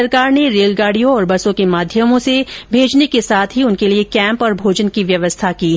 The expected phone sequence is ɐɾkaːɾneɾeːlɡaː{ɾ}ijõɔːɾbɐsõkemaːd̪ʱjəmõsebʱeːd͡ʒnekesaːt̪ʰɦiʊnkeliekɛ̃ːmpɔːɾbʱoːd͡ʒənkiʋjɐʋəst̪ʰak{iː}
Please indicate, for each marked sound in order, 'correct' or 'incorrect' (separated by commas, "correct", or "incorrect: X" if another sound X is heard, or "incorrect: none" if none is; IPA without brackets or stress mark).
incorrect: ɽ, correct